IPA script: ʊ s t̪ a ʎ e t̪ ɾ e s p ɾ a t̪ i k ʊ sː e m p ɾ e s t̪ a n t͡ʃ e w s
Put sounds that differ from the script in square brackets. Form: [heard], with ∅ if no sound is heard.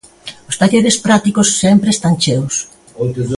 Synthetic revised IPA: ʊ s t̪ a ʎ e [∅] ɾ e s p ɾ a t̪ i k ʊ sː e m p ɾ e s t̪ a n t͡ʃ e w s